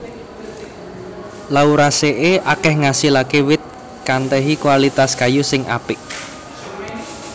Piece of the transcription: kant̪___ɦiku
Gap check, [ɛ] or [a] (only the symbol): ɛ